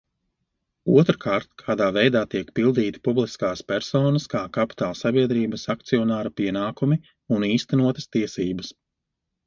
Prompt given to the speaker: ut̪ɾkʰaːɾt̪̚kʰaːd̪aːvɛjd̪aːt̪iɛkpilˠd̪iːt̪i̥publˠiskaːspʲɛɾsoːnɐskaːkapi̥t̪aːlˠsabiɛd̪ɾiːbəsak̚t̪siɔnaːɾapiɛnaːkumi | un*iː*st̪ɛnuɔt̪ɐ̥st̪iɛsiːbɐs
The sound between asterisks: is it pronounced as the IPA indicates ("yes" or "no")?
yes